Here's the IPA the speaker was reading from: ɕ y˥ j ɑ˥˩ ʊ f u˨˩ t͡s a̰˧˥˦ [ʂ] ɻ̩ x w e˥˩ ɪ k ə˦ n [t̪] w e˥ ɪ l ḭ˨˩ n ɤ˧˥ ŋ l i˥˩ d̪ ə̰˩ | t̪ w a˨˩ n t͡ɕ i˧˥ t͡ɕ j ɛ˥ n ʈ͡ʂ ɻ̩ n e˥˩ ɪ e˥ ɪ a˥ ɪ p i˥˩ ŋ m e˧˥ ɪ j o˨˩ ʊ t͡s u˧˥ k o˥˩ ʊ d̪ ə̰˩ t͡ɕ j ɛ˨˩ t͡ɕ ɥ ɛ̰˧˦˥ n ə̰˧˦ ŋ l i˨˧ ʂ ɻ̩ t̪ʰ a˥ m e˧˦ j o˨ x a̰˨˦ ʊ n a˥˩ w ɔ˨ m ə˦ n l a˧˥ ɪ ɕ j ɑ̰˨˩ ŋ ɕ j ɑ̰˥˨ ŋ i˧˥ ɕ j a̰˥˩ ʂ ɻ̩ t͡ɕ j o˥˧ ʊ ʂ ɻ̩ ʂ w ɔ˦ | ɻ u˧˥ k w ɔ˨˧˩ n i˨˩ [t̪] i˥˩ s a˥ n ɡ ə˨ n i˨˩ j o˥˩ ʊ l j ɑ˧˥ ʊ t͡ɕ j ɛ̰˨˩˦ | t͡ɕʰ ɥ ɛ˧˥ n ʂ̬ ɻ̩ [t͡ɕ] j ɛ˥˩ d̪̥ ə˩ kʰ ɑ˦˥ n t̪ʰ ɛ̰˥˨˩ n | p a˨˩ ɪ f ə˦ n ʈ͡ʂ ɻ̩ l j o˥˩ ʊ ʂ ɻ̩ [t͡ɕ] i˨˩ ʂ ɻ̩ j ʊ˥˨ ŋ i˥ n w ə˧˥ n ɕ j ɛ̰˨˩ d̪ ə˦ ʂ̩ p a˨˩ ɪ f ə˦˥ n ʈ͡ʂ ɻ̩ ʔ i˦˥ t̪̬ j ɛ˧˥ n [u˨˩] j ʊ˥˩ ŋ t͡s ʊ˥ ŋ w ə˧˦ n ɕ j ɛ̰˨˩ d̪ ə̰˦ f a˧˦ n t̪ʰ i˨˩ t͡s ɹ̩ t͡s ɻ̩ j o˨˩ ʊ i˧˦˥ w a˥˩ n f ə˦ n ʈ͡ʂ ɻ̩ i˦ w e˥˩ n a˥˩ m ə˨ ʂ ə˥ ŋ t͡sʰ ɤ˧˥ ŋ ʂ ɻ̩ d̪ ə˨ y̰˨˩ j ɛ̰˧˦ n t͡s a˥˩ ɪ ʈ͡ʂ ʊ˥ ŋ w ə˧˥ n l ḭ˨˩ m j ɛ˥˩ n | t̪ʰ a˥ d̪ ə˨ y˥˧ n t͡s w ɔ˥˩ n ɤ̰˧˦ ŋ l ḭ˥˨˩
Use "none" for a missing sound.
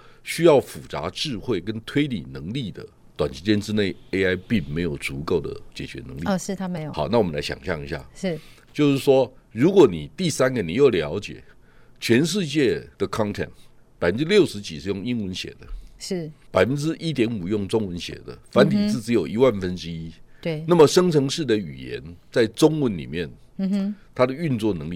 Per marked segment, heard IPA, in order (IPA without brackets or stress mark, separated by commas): ʈ͡ʂ, t̪ʰ, t̪, t͡ɕ, t͡ɕ, u˨˩